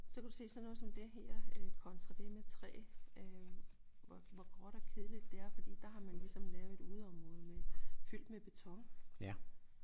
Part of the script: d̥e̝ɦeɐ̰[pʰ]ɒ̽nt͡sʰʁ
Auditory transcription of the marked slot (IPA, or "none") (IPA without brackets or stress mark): kʰ